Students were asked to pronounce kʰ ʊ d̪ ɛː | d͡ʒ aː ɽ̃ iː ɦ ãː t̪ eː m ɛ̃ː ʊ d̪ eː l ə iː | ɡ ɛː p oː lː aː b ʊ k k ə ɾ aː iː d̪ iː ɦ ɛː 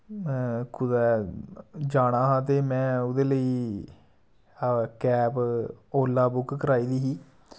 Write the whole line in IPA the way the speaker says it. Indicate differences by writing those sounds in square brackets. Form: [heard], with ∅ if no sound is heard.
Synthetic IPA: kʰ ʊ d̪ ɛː | d͡ʒ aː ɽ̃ [aː] ɦ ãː t̪ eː m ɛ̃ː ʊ d̪ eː l ə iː | [k] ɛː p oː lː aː b ʊ k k ə ɾ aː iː d̪ iː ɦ [iː]